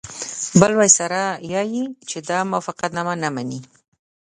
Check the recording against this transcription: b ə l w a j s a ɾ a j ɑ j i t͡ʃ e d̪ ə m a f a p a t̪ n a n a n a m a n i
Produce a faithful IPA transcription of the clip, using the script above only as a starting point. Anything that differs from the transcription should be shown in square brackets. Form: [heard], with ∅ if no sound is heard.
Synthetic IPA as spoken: b ə l w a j s a ɾ a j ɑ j i t͡ʃ e d̪ [ɑ] m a f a [q] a t̪ n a [m] a n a m a n i